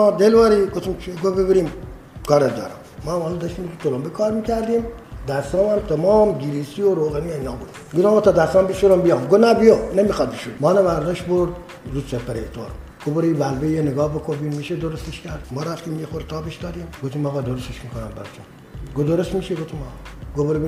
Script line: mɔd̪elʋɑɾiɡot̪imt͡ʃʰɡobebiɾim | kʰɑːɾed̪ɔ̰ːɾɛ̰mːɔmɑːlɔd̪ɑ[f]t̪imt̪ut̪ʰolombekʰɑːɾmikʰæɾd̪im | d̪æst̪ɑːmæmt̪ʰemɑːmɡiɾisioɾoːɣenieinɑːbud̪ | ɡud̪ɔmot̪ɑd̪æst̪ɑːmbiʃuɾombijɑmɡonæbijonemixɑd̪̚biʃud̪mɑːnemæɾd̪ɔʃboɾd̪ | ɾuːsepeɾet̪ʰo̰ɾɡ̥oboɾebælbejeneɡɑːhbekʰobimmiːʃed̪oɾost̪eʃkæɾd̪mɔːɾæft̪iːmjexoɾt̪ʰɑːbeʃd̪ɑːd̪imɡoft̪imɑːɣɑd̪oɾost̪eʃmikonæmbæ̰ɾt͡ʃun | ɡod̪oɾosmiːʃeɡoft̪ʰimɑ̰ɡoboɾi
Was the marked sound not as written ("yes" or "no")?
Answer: yes